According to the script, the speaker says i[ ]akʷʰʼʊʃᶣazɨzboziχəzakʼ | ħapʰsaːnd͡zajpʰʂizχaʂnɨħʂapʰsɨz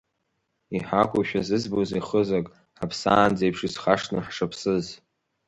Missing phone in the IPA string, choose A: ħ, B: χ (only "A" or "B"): A